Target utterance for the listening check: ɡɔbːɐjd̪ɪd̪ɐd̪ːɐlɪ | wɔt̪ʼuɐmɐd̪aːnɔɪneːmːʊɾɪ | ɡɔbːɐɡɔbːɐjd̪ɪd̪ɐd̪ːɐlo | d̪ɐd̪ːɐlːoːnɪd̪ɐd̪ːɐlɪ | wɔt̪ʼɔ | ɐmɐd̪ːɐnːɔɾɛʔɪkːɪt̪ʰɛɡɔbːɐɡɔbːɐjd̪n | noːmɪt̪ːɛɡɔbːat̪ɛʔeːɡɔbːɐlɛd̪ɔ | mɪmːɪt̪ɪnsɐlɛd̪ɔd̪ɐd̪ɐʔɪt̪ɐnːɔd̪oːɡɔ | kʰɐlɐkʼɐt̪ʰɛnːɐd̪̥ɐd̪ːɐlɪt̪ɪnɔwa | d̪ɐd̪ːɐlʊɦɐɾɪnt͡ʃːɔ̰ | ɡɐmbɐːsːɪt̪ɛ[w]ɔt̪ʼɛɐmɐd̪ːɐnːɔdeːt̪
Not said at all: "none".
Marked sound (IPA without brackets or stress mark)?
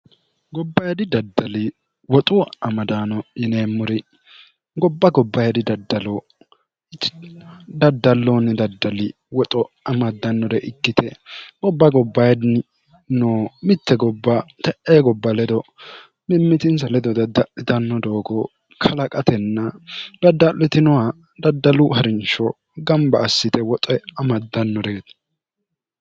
w